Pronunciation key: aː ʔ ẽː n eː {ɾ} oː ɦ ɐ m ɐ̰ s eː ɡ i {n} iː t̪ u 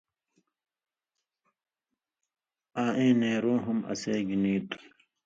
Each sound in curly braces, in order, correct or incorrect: correct, correct

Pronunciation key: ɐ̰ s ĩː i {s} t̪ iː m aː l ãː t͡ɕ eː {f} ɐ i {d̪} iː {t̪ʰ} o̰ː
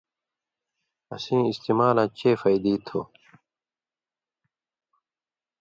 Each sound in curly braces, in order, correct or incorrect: correct, correct, correct, correct

